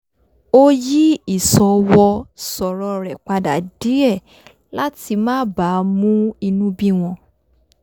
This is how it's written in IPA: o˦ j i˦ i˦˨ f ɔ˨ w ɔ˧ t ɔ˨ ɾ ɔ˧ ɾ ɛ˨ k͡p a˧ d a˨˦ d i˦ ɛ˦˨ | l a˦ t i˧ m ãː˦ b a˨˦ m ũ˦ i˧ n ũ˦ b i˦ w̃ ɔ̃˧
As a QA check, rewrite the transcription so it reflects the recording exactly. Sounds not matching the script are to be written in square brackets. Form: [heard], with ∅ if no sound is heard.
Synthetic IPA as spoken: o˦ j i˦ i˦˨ [s] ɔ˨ w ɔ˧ [s] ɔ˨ ɾ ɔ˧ ɾ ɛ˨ k͡p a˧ d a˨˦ d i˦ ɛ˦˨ | l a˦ t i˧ m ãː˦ b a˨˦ m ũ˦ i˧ n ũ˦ b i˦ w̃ ɔ̃˧